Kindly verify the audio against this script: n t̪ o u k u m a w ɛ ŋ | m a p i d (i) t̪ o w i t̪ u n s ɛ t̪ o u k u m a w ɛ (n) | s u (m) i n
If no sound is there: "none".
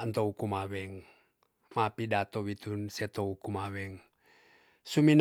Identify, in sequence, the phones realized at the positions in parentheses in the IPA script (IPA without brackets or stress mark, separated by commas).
a, ŋ, m